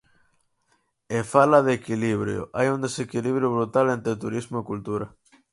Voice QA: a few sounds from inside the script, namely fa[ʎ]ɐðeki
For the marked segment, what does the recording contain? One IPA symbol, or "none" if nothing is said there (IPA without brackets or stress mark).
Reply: l